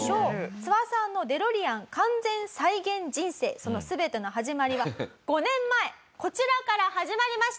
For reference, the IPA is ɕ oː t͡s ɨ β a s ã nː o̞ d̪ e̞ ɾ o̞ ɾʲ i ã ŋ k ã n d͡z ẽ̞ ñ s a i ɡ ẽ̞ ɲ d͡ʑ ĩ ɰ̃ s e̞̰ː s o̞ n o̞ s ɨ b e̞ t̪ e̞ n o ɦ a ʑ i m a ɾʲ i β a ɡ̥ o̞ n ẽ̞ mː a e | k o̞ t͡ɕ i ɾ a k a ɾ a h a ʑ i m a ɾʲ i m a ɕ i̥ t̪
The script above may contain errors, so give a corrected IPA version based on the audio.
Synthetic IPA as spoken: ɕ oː t͡s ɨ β a s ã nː o̞ d̪ e̞ ɾ o̞ ɾʲ i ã ŋ k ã n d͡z ẽ̞ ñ s a i ɡ ẽ̞ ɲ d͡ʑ ĩ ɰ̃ s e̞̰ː s o̞ n o̞ s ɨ b e̞ t̪ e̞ n o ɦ a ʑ i m a ɾʲ i β a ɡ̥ o̞ n ẽ̞ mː a e | k o̞ t͡ɕ i ɾ a k a ɾ a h a ʑ i m a ɾʲ i m a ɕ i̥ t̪